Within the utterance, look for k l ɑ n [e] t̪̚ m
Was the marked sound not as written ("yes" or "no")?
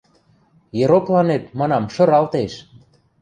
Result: no